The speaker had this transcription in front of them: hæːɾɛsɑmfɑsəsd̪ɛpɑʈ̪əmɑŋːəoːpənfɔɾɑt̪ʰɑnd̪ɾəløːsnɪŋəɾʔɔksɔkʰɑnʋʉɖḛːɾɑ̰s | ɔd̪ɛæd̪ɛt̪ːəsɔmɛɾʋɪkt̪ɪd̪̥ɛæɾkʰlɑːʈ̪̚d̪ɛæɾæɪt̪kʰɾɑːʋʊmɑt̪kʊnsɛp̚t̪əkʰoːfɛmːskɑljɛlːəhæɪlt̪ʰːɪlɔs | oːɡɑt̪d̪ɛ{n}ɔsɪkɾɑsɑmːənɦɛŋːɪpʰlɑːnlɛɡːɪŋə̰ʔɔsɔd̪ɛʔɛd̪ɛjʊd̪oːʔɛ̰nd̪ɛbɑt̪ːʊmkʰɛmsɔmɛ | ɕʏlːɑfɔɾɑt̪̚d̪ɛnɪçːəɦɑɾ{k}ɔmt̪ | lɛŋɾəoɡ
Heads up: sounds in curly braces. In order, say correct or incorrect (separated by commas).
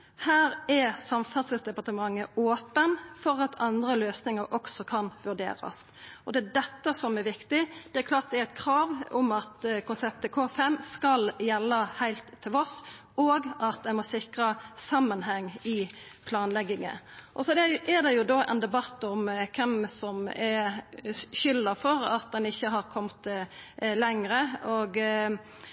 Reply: incorrect, incorrect